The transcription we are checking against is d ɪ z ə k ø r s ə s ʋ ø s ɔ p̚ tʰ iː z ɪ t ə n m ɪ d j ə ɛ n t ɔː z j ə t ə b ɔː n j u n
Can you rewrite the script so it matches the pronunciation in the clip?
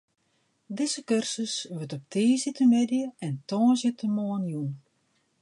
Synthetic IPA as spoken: d ɪ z ə k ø r s ə s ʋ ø t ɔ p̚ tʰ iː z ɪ t ə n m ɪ d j ə ɛ n t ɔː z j ə t ə m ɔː n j u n